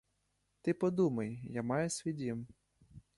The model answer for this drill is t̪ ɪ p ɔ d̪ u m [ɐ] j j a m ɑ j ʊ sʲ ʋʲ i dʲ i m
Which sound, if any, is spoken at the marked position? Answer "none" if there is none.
ɐ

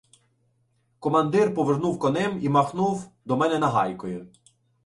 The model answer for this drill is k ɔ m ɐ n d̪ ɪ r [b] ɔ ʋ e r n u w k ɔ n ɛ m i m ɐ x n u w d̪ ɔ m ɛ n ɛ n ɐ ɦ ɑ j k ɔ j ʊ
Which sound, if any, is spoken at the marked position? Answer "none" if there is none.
p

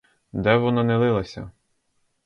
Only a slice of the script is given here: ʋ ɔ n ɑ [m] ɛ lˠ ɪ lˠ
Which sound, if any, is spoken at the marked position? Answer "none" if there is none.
n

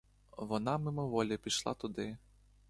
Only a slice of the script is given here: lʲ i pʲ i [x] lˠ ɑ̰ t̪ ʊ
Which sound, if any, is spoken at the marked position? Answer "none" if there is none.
ʃ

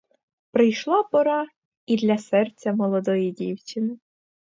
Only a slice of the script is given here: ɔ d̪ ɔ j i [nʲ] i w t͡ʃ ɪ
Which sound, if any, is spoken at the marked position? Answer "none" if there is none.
dʲ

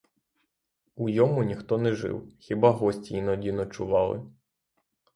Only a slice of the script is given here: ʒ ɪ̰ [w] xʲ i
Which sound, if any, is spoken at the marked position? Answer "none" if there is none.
w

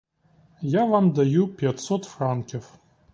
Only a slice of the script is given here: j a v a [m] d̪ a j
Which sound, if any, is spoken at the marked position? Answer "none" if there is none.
m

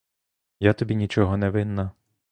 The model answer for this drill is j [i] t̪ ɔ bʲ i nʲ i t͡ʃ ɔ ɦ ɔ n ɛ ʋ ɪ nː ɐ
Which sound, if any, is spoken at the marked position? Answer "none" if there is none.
a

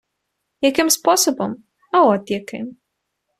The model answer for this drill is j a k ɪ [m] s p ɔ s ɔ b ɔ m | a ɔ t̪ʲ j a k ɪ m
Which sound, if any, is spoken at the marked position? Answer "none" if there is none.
m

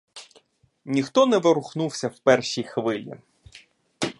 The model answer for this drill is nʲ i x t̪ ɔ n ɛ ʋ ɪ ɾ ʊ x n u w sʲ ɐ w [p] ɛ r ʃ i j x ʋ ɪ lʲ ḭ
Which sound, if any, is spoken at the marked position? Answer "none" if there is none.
p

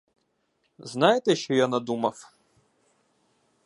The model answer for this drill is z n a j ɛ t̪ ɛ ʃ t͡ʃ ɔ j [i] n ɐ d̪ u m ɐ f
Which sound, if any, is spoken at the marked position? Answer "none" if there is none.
a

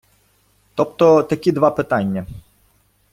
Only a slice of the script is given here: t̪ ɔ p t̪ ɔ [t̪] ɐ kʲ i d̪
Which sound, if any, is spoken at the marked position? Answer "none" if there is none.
t̪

